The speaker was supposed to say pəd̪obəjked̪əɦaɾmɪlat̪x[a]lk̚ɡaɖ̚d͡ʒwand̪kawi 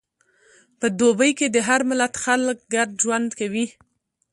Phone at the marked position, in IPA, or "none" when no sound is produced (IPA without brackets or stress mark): a